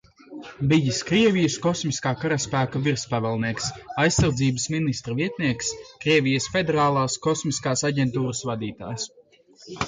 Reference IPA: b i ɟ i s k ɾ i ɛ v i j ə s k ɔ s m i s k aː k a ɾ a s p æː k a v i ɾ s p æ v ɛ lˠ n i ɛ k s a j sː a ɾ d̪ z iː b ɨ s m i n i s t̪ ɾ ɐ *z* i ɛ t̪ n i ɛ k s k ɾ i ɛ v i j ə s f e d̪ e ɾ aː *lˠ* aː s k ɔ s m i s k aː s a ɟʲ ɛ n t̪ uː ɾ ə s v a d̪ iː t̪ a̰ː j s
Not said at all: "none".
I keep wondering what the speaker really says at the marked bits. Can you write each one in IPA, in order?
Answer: v, lˠ

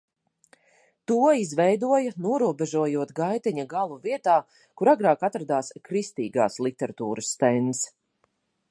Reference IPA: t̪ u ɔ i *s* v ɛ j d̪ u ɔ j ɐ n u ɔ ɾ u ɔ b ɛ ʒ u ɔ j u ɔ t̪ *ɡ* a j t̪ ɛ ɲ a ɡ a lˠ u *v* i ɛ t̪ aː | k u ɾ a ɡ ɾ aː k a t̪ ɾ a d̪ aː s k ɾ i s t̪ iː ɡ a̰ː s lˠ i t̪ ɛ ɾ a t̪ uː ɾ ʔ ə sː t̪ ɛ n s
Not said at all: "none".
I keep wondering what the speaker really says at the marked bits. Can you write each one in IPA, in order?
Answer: z, ɡ, v

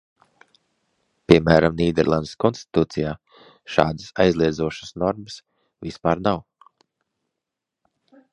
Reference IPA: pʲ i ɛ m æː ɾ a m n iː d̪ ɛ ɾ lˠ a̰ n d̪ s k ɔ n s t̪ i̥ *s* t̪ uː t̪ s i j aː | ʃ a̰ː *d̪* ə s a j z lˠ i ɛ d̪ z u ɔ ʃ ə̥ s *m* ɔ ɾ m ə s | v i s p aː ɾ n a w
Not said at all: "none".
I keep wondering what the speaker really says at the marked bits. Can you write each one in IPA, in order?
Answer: none, d̪, n

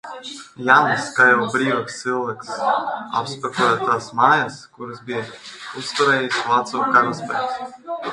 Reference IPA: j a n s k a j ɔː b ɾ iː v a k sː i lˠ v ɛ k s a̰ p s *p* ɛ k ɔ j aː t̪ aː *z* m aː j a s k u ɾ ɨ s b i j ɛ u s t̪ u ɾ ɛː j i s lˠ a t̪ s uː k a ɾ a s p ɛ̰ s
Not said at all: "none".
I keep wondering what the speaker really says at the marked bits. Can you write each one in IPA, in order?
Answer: p, s

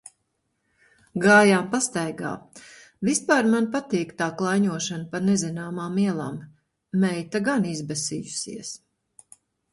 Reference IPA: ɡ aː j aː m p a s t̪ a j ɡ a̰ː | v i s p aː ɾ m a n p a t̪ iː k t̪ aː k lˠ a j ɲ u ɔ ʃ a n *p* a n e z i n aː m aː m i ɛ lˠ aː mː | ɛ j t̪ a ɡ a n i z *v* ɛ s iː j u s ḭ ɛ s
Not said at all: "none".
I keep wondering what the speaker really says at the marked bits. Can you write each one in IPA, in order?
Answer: p, b

